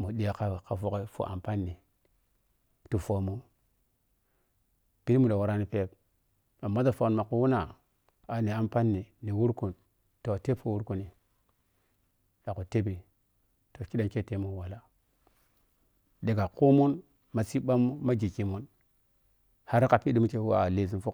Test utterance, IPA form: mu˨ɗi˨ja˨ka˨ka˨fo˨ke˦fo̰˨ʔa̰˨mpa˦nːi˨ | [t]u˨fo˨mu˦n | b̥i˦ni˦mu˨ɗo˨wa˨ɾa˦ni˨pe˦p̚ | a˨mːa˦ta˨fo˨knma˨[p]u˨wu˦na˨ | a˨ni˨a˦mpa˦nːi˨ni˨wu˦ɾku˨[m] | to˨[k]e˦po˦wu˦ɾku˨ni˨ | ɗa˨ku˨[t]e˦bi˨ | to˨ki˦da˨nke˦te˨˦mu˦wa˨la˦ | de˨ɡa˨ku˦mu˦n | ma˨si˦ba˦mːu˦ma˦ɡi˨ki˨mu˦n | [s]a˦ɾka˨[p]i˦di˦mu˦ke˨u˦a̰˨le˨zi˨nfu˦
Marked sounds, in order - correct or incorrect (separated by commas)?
correct, incorrect, incorrect, incorrect, correct, incorrect, correct